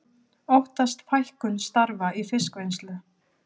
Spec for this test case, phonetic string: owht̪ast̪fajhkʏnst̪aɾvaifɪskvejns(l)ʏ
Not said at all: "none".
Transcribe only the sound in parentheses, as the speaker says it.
l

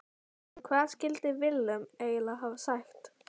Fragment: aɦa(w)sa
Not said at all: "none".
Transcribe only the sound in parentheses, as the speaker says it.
v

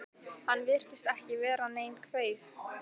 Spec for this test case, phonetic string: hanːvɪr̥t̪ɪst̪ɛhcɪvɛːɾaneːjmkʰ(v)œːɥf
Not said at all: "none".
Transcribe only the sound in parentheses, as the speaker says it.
v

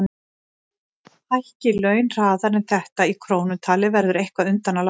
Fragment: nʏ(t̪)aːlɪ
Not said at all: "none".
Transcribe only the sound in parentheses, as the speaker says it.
t̪ʰ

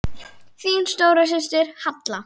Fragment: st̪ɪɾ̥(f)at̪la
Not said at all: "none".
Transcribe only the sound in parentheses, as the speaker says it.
h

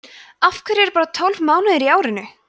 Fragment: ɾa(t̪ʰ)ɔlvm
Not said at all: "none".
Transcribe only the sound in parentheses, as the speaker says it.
t̪ʰ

